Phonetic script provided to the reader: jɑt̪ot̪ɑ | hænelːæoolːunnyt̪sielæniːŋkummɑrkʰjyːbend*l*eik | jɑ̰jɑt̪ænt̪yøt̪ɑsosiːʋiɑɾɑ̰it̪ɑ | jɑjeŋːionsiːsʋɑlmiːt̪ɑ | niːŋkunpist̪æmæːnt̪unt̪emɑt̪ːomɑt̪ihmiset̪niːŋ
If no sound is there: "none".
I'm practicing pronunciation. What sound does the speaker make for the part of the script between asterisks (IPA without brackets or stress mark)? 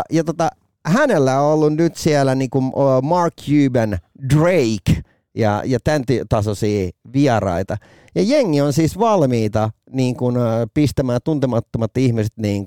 r